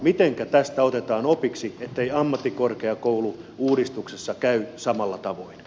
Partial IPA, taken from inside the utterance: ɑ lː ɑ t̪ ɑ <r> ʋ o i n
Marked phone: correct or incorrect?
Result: incorrect